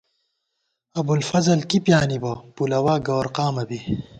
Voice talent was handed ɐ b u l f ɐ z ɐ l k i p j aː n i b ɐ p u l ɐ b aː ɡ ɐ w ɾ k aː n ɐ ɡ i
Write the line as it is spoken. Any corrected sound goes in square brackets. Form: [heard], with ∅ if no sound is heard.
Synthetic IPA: ɐ b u l f ɐ z ɐ l k i p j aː n i b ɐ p u l ɐ [w] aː ɡ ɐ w ɾ [q] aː [m] ɐ [b] i